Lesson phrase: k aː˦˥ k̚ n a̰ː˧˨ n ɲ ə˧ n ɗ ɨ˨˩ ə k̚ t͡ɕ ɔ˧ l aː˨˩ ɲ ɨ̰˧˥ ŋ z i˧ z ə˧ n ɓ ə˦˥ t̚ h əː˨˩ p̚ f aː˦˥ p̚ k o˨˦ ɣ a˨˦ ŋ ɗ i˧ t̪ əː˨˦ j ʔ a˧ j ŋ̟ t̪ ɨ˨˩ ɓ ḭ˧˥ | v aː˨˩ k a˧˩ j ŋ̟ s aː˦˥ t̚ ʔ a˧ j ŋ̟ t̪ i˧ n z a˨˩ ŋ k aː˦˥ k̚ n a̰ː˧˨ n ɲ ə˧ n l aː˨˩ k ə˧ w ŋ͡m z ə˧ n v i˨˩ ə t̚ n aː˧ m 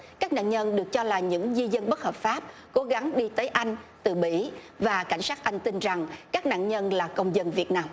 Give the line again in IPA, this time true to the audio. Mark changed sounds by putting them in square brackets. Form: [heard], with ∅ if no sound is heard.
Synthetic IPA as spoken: k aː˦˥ k̚ n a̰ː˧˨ n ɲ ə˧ n ɗ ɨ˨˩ ə k̚ t͡ɕ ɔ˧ l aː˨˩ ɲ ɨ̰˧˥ ŋ z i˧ z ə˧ n ɓ ə˦˥ t̚ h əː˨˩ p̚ f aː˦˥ p̚ k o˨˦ ɣ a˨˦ ŋ ɗ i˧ t̪ əː˨˦ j ʔ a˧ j ŋ̟ t̪ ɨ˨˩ ɓ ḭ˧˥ | v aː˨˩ k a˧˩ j ŋ̟ s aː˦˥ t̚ ʔ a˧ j ŋ̟ t̪ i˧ n z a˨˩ ŋ k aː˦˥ k̚ n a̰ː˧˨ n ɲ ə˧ n l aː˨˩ k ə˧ w ŋ͡m z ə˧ n v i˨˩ ə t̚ n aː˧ m